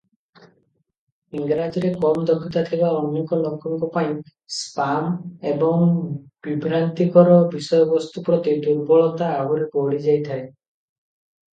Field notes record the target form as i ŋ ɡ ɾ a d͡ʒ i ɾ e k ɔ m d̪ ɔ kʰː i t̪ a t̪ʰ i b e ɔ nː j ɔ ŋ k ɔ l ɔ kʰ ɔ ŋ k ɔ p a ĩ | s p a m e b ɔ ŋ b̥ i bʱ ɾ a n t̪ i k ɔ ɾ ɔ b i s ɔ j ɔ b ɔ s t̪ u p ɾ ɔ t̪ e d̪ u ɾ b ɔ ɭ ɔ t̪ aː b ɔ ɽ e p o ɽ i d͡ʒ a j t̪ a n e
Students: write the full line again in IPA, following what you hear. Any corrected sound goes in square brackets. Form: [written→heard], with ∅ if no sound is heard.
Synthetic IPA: i ŋ ɡ ɾ a d͡ʒ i ɾ e k ɔ m d̪ ɔ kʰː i t̪ a t̪ʰ i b [e→a] ɔ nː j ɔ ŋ k ɔ l ɔ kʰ ɔ ŋ k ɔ p a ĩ | s p a m e b ɔ ŋ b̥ i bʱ ɾ a n t̪ i k ɔ ɾ ɔ b i s ɔ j ɔ b ɔ s t̪ u p ɾ ɔ t̪ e d̪ u ɾ b ɔ ɭ ɔ t̪ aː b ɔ [ɽ→ɾ] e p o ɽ i d͡ʒ a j [t̪→t̪ʰ] a [n→∅] e